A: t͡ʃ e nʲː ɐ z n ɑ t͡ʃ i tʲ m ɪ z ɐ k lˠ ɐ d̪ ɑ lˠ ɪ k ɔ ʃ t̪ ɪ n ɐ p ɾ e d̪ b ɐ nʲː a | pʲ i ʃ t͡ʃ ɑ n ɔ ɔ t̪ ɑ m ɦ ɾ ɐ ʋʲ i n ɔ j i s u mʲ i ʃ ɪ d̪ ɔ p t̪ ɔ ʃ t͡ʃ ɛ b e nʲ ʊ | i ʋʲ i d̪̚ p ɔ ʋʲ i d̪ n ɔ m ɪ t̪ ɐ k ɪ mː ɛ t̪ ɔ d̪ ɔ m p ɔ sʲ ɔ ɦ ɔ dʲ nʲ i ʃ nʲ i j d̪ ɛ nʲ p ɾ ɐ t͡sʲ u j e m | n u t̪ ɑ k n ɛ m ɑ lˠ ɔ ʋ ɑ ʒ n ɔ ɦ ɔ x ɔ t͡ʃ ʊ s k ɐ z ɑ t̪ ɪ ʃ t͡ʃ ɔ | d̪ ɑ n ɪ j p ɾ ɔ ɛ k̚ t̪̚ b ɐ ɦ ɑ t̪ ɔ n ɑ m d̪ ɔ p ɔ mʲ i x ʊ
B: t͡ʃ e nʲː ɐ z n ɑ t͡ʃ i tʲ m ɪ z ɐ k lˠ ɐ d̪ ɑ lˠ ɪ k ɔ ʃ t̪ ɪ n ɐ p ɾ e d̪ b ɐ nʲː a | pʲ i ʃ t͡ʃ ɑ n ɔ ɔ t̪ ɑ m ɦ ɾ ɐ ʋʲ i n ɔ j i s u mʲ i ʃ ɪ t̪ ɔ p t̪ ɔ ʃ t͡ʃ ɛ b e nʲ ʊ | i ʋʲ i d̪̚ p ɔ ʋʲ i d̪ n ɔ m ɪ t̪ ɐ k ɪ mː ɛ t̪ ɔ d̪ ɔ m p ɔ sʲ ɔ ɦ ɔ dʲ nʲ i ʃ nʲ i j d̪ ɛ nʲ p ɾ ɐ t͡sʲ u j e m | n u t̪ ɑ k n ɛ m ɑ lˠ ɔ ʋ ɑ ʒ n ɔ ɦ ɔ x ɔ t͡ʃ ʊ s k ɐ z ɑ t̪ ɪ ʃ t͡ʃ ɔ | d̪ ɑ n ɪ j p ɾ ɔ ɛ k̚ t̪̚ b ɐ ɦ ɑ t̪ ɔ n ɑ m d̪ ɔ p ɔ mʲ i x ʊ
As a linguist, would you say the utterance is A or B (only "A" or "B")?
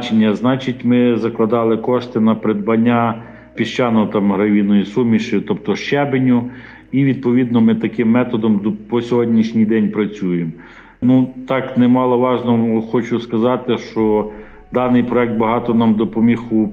B